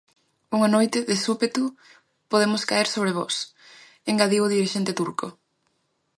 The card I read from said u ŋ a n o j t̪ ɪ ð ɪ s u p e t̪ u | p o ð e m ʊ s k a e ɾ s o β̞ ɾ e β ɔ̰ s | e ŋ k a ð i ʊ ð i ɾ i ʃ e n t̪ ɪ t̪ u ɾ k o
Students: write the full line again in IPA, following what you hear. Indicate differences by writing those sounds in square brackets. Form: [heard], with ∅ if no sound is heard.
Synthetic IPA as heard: u ŋ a n o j t̪ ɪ ð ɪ s u p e t̪ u | p o ð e m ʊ s k a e ɾ s o β̞ ɾ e β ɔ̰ s | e ŋ [ɡ] a ð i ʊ ð i ɾ i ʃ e n t̪ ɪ t̪ u ɾ k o